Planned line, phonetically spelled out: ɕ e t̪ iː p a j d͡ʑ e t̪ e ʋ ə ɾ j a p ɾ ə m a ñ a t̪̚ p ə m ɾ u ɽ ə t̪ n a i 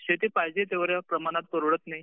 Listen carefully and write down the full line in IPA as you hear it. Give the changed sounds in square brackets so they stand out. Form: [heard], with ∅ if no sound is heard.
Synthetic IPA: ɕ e t̪ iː p a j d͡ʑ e t̪ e ʋ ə ɾ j a p ɾ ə m a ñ a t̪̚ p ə [∅] ɾ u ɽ ə t̪ n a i